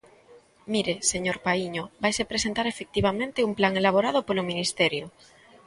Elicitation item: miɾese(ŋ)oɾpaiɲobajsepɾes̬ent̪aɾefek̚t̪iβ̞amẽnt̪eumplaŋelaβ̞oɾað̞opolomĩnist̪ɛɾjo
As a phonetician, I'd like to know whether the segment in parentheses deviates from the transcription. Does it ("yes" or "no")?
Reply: yes